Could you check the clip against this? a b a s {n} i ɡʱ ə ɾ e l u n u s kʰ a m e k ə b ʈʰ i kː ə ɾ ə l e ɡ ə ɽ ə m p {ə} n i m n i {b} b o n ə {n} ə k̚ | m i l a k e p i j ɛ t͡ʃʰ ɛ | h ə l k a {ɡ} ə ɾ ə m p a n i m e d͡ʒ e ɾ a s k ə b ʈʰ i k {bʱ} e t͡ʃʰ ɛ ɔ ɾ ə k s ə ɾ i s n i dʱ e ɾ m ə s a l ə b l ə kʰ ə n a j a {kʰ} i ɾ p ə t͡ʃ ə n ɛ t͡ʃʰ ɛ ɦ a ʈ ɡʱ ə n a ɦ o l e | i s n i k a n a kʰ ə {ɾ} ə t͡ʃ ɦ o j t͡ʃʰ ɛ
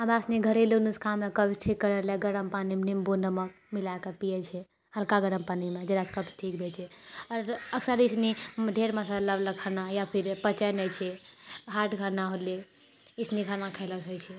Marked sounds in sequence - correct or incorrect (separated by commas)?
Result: correct, incorrect, incorrect, incorrect, correct, correct, incorrect, incorrect